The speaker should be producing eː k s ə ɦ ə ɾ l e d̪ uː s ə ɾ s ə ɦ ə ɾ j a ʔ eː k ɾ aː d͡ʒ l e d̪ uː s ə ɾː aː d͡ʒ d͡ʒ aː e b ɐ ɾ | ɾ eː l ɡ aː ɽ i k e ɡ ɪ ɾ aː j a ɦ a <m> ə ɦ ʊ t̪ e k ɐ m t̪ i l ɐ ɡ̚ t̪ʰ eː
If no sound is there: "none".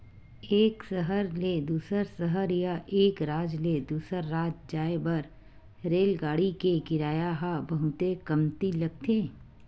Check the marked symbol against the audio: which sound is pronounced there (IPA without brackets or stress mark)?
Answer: b